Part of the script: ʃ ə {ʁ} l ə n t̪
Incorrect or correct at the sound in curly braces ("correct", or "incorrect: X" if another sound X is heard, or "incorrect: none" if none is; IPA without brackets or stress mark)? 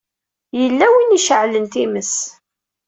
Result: incorrect: ʕ